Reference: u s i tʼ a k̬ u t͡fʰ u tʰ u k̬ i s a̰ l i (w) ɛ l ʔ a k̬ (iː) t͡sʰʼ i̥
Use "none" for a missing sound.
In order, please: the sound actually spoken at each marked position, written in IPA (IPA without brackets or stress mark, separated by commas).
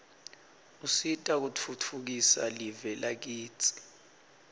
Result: v, iː